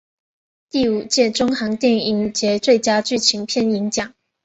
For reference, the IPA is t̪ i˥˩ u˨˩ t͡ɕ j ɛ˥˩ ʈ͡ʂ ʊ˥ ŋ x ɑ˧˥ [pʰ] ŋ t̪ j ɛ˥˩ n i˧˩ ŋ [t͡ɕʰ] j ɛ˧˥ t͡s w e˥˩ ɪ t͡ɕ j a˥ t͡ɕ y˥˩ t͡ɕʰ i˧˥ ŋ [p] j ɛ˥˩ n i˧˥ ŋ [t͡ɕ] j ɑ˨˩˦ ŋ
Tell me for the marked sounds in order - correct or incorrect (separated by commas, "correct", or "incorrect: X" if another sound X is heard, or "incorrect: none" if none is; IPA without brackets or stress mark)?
incorrect: none, incorrect: t͡ɕ, incorrect: pʰ, correct